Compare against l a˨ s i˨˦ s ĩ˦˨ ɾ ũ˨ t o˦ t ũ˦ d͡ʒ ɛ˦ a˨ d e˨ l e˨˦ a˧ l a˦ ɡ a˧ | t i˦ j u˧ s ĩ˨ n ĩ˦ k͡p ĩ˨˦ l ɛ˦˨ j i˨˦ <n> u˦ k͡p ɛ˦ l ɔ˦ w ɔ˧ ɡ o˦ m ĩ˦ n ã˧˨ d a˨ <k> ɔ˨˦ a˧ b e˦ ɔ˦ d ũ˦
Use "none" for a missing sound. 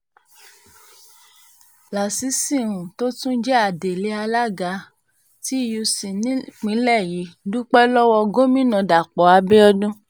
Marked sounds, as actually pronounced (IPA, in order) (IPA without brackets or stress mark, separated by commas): d, k͡p